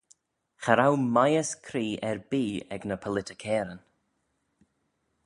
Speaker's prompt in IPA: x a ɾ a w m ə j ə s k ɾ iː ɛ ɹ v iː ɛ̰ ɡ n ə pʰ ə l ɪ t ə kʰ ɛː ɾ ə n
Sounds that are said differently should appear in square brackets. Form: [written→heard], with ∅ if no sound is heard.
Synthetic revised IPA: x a ɾ a w m [ə→a] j ə s [k→kʰ] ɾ iː ɛ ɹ [v→b] iː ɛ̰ ɡ n ə pʰ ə l ɪ t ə kʰ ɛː ɾ ə n